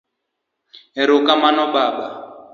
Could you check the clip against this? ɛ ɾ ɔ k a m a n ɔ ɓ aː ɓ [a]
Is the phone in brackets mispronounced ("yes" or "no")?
no